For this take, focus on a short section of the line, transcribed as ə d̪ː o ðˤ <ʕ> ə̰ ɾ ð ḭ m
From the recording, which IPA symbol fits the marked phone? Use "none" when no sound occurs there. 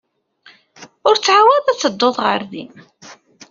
ʁ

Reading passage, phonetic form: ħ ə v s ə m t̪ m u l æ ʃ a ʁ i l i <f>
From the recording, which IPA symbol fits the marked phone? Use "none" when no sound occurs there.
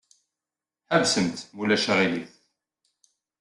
θ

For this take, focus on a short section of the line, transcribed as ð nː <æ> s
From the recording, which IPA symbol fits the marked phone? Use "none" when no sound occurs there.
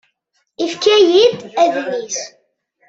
i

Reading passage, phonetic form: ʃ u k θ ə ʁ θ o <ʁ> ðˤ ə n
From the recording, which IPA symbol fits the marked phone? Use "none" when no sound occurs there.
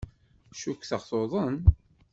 none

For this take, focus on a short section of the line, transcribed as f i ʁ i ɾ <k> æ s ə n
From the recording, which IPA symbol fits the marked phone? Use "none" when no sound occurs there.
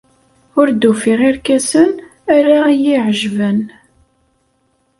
k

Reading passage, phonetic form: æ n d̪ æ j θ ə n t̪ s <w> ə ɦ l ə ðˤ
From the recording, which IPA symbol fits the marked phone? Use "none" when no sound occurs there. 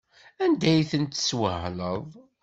w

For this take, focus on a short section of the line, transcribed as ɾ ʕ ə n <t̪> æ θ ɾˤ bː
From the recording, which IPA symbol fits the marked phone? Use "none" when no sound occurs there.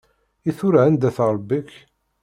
d̪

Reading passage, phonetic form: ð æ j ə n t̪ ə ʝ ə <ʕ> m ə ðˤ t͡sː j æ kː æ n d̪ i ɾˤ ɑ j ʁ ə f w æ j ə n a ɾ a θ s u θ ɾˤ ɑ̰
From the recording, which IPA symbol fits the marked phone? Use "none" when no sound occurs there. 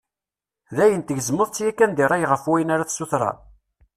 z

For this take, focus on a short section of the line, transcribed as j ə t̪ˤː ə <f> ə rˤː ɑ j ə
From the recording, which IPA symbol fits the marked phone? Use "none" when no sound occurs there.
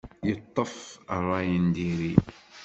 f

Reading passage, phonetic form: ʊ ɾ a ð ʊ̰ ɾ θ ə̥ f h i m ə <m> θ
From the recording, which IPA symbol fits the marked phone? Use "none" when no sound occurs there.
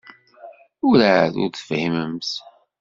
m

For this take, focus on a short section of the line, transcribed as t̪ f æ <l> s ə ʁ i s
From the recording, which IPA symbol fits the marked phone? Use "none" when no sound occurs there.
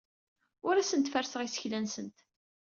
ɾ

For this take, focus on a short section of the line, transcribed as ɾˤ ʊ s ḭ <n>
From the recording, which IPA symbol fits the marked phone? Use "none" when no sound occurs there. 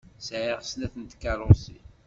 none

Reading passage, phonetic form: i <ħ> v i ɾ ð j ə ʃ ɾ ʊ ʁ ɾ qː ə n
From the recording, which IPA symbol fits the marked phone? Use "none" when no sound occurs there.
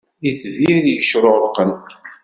θ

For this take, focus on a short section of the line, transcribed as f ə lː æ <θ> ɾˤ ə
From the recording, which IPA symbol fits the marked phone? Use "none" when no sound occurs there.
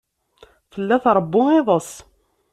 θ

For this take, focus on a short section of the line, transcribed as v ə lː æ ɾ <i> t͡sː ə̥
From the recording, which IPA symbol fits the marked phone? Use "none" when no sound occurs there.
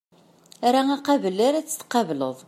æ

